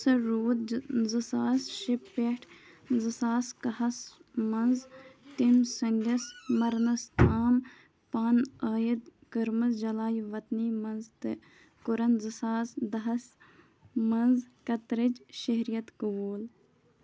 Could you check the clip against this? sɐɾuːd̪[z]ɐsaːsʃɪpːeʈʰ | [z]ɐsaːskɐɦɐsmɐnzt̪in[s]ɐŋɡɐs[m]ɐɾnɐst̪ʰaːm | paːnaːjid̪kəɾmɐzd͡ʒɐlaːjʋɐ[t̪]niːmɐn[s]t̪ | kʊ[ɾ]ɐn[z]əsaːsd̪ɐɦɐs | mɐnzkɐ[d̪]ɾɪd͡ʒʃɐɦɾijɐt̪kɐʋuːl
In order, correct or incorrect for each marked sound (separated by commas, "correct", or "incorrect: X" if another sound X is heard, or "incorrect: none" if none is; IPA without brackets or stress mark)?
correct, correct, correct, correct, correct, incorrect: z, correct, correct, incorrect: t̪